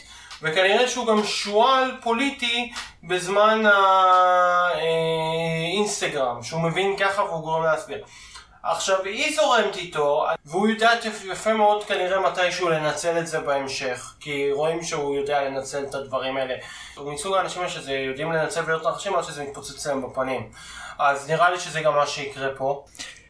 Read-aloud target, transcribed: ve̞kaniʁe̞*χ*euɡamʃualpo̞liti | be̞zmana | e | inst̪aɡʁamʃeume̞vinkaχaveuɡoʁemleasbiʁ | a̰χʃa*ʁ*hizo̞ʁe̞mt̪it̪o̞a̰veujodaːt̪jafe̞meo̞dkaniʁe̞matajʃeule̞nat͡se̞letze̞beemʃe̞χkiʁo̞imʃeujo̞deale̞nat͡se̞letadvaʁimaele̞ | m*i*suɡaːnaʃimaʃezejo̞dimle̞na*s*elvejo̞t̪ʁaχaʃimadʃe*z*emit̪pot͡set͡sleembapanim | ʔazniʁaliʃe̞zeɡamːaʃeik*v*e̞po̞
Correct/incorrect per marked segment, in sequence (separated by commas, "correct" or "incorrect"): incorrect, incorrect, correct, incorrect, correct, incorrect